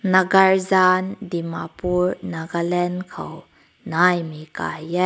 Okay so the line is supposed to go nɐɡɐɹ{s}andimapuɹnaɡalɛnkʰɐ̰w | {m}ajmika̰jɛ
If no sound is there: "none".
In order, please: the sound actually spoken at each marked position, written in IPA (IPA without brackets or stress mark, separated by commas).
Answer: z, n